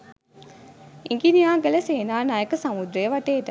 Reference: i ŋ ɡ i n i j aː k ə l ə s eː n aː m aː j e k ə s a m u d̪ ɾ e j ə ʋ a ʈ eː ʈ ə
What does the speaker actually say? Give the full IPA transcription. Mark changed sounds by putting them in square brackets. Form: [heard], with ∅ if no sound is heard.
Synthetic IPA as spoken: i ŋ ɡ i n i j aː [ɡ] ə l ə s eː n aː [n] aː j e k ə s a m u d̪ ɾ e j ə ʋ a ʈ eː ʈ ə